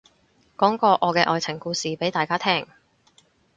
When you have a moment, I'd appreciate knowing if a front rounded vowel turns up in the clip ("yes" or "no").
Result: no